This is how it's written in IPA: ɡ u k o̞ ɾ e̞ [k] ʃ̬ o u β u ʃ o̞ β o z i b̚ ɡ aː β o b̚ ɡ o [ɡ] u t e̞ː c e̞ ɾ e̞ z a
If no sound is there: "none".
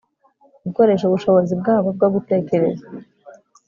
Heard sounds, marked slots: none, ɡ

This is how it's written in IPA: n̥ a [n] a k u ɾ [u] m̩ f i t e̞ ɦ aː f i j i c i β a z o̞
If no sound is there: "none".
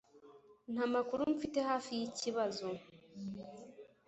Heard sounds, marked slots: m, u

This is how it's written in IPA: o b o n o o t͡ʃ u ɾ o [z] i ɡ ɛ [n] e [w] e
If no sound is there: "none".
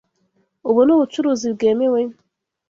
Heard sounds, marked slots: z, m, w

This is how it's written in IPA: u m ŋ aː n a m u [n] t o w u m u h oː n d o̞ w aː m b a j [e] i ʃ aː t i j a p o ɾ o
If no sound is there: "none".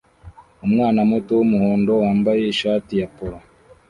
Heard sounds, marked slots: none, e

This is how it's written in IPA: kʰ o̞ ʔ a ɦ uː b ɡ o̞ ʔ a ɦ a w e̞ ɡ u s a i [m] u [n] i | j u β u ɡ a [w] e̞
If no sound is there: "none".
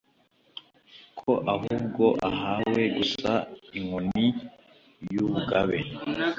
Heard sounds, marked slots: ŋ, n, β

